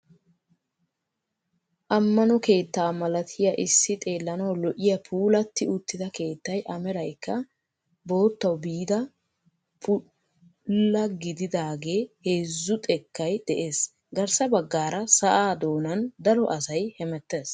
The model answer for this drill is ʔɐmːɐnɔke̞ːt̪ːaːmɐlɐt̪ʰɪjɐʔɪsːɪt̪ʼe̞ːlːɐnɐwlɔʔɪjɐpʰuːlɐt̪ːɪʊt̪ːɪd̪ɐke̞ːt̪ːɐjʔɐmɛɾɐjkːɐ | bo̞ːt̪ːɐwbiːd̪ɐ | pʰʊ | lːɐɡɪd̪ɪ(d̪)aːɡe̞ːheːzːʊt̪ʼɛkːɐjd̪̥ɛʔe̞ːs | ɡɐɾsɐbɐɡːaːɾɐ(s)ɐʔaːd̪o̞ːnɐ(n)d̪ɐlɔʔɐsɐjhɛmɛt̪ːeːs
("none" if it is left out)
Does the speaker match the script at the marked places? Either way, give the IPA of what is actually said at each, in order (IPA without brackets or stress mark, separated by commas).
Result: d̪, s, n